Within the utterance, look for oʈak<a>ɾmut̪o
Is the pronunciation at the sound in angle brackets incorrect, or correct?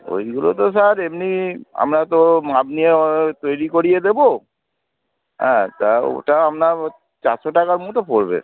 correct